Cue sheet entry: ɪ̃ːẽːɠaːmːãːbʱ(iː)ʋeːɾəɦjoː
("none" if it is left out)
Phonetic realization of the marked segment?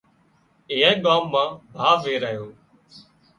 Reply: aː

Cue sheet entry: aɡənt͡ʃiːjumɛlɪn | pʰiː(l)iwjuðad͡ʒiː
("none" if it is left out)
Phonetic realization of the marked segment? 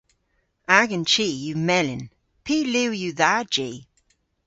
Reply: l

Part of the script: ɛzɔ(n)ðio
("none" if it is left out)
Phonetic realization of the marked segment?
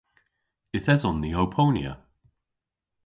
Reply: n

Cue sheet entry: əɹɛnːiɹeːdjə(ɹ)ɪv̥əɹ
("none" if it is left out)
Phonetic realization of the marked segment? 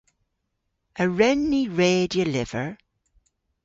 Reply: l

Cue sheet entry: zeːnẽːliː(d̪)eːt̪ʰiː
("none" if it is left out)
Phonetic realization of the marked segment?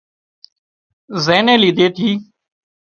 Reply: d̪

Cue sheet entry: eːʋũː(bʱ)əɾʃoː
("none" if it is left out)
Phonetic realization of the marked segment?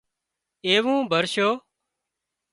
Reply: bʱ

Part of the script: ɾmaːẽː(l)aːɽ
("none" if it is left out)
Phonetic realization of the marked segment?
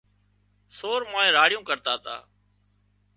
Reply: ɾ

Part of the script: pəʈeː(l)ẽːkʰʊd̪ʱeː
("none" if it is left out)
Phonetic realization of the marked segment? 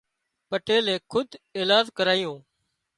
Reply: l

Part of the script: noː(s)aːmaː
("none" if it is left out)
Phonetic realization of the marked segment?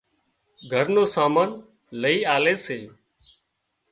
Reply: s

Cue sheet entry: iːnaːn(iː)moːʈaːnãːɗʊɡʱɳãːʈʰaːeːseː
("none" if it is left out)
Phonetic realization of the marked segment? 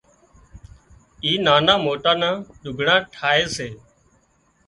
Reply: aː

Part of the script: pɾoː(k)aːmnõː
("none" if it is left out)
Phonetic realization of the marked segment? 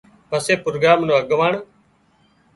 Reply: ɡ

